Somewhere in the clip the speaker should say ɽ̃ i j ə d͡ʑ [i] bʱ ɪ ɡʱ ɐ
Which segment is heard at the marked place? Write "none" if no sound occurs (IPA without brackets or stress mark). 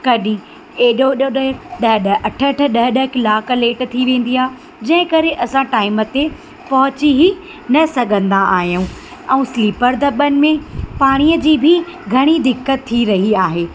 iː